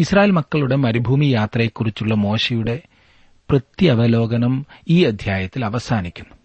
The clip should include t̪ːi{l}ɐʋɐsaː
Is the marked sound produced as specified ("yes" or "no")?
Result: yes